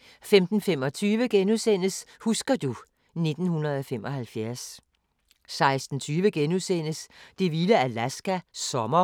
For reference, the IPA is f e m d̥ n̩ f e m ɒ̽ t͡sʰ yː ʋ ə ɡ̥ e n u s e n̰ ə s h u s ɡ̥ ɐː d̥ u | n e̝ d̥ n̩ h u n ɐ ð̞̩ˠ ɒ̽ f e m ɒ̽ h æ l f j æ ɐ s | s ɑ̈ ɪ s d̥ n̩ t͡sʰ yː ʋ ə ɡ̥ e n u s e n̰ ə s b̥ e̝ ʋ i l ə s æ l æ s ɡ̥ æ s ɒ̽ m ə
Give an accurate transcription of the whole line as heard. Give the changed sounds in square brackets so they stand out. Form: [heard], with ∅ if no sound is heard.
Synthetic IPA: f e m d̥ n̩ f e m ɒ̽ t͡sʰ yː ʋ ə ɡ̥ e n u s e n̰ ə s h u s ɡ̥ [ɐ] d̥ u | n e̝ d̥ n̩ h u n ɐ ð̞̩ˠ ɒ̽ f e m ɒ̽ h æ l f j æ ɐ s | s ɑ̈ ɪ s d̥ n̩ t͡sʰ yː ʋ ə ɡ̥ e n u s e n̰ ə s [d̥] e̝ ʋ i l ə [∅] æ l æ s ɡ̥ æ s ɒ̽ m [ɐ]